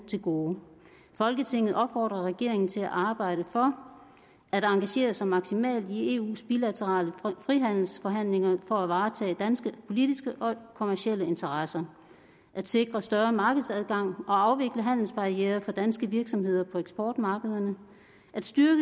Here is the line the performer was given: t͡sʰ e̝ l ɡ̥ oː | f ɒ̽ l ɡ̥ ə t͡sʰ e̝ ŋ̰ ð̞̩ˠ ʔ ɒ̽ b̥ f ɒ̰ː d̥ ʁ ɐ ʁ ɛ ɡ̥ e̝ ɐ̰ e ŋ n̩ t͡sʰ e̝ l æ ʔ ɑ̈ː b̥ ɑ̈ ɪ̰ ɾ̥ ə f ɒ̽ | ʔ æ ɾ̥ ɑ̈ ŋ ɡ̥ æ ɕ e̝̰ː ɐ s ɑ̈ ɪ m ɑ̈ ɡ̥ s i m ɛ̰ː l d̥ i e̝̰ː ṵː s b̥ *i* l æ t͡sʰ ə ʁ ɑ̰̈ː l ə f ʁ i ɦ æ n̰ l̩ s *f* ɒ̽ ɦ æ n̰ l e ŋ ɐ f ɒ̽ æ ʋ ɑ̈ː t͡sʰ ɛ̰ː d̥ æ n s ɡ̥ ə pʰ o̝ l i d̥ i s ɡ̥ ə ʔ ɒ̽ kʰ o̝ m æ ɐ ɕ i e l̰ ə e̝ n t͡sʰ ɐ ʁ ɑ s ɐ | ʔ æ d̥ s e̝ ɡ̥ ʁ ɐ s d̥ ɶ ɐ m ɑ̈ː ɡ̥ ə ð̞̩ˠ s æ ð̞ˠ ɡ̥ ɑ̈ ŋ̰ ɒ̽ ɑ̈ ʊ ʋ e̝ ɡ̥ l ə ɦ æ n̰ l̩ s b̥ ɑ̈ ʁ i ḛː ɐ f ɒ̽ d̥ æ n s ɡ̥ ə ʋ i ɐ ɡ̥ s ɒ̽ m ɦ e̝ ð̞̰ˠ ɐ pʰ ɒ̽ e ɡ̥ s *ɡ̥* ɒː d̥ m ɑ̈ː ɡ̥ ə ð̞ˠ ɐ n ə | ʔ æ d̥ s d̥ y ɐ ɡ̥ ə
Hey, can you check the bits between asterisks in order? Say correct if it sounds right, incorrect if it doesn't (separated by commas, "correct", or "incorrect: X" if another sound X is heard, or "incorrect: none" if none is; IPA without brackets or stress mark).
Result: correct, correct, incorrect: b̥